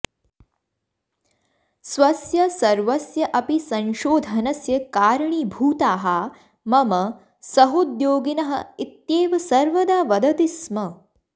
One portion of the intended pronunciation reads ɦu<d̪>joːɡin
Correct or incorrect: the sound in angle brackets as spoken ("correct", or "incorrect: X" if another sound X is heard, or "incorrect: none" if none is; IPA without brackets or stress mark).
correct